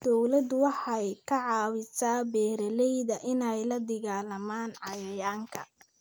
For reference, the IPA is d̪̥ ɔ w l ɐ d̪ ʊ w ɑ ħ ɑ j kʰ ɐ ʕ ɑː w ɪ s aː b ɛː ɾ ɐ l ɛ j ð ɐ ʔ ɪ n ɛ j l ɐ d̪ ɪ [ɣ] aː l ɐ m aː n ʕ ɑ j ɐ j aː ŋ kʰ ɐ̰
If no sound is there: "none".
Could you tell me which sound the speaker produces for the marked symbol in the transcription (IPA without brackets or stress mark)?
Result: ɣ